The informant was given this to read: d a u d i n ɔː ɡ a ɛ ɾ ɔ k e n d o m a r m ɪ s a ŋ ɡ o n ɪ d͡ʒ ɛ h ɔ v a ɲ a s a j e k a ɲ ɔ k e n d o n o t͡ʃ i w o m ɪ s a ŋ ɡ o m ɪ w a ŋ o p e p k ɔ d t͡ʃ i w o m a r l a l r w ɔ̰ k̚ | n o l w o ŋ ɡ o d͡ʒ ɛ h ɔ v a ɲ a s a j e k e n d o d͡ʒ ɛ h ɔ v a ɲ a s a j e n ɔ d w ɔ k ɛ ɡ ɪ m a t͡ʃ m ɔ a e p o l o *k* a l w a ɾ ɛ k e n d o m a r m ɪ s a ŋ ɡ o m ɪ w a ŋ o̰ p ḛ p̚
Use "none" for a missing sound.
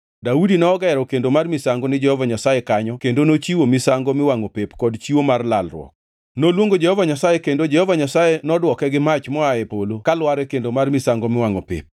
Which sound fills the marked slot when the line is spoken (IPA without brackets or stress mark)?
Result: k